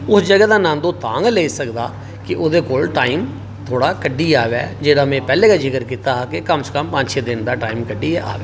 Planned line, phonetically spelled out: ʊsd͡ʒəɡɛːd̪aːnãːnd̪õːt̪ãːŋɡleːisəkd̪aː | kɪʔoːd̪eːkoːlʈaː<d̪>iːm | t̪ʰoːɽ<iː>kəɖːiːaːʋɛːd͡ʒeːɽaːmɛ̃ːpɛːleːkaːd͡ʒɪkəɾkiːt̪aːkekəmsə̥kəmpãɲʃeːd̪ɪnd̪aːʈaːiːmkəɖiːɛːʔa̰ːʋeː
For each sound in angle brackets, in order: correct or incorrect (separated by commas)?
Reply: incorrect, incorrect